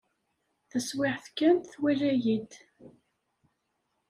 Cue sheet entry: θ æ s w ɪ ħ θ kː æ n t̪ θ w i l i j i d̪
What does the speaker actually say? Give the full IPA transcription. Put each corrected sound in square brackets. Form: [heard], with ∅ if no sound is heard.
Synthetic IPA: θ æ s w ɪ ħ θ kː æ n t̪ θ w [æ] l [æ] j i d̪

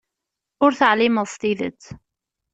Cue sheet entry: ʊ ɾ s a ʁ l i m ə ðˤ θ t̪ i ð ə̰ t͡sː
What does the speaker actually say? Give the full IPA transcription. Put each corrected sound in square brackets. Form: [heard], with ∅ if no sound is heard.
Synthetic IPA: ʊ ɾ [θ] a [ʕ] l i m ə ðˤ [s] t̪ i ð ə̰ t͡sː

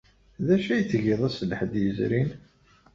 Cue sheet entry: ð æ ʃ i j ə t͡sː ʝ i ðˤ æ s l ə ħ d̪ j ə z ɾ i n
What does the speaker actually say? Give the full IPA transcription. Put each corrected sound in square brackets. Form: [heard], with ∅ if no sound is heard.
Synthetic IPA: ð æ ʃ [æ] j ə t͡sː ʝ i ðˤ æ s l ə ħ d̪ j ə z ɾ i n

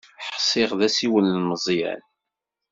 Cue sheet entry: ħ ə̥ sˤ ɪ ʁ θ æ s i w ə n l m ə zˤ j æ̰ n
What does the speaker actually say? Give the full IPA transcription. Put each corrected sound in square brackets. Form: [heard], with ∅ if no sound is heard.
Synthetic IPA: ħ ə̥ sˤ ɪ ʁ [ð] æ s i w ə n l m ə zˤ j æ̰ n

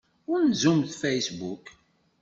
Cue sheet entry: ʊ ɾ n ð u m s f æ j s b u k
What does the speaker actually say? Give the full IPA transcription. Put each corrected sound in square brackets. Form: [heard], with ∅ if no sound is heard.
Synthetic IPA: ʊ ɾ n [z] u m [θ] f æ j s b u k

